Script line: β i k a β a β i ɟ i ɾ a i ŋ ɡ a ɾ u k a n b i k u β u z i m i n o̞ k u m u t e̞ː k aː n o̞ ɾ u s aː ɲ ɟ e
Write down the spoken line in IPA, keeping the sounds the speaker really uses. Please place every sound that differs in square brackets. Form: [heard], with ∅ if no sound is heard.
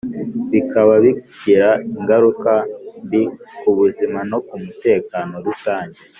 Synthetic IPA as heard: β i k a β a β i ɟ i ɾ a i ŋ ɡ a ɾ u k a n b i k u β u z i m [a] n o̞ k u m u t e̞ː k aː n o̞ ɾ u s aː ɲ ɟ e

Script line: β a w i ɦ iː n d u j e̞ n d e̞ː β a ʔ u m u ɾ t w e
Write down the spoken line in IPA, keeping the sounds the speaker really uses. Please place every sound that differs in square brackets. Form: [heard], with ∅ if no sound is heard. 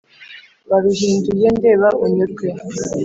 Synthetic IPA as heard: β a [β] i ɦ iː n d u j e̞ n d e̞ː β a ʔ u [ɲ] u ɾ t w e

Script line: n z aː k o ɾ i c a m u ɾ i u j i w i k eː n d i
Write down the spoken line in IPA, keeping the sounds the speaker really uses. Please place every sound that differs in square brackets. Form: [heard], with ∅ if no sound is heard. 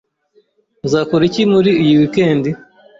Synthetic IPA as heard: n z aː k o ɾ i c [i] m u ɾ i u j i w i k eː n d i

